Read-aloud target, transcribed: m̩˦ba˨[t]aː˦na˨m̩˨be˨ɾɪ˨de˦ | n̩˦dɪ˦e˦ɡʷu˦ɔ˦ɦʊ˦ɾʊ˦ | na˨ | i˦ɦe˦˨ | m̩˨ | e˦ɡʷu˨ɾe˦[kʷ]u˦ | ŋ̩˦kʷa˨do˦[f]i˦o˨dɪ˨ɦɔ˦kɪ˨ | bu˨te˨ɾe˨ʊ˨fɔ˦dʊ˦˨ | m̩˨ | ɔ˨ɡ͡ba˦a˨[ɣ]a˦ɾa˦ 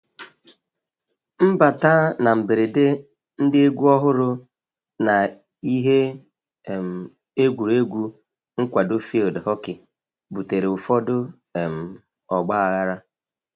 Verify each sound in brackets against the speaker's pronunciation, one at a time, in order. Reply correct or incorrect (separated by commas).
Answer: correct, incorrect, correct, correct